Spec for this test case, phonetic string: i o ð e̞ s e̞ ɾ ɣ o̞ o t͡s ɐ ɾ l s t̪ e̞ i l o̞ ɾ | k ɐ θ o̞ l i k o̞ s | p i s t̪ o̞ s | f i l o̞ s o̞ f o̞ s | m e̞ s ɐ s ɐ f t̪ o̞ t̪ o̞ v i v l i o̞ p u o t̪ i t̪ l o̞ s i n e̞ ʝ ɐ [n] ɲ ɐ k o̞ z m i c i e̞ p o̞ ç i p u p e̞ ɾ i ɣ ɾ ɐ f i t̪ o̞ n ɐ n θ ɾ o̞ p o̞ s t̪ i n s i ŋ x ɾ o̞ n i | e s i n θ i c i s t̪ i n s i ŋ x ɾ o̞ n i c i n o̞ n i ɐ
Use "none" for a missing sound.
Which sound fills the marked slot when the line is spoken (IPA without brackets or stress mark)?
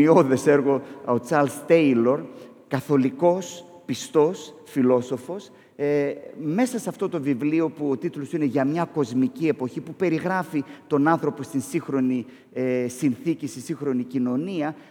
m